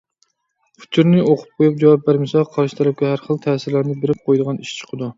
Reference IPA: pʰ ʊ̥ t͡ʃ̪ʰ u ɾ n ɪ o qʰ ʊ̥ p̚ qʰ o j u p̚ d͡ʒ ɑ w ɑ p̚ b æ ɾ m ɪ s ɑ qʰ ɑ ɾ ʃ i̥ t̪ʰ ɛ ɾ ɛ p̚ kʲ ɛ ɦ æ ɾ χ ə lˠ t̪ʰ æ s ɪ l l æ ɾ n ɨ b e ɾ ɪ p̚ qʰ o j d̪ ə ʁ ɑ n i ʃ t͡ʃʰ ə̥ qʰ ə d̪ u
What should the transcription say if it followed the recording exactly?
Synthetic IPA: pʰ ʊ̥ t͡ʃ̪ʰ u ɾ n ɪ o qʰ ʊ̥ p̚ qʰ o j u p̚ d͡ʒ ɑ w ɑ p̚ b æ ɾ m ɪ s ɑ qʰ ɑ ɾ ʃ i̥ t̪ʰ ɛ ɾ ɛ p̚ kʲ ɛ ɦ æ ɾ χ ə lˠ t̪ʰ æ s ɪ ɾ l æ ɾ n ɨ b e ɾ ɪ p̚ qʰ o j d̪ ə ʁ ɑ n i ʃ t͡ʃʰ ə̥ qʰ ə d̪ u